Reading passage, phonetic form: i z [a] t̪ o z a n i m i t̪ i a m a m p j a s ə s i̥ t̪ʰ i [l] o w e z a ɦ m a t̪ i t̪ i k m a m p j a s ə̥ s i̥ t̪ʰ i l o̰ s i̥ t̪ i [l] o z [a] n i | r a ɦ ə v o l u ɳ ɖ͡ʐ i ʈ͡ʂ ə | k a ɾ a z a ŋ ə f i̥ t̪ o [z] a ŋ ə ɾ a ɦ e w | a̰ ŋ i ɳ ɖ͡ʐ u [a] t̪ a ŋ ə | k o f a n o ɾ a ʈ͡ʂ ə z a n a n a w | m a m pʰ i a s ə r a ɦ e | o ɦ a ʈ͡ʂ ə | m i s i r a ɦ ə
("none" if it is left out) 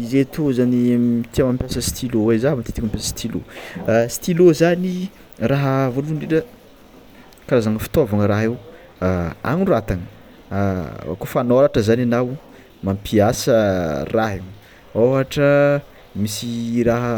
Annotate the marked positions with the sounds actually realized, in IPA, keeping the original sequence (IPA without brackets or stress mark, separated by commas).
e, l, l, a, v, a